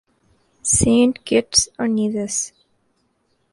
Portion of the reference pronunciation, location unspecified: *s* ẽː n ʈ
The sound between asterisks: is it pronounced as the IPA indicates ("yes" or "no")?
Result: yes